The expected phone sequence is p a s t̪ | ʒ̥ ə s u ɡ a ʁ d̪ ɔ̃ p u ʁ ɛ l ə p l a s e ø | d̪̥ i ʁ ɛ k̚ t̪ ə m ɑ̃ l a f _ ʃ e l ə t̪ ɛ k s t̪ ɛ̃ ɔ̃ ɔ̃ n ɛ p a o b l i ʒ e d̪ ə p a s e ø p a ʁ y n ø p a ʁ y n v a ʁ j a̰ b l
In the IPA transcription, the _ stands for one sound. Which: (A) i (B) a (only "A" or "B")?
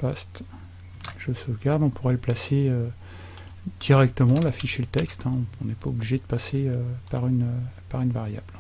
A